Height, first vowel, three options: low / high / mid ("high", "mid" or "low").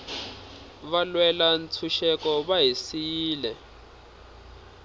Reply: low